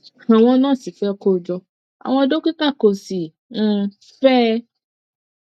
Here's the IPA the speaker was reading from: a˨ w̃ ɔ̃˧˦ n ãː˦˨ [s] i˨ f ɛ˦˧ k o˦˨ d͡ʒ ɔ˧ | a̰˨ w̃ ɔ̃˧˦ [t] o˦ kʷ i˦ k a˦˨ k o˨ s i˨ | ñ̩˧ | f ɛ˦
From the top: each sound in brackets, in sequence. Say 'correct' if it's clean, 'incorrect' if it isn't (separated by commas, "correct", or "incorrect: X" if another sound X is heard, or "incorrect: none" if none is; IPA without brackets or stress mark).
correct, incorrect: d